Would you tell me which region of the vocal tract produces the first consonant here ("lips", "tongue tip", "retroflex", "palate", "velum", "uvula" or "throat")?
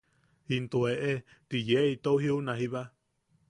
tongue tip